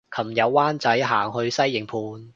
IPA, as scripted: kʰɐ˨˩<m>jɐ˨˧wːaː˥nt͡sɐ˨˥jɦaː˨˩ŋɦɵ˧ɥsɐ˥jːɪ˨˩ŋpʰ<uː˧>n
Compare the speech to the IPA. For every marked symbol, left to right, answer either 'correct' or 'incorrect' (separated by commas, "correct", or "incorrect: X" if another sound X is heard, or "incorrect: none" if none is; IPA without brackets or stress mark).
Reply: correct, correct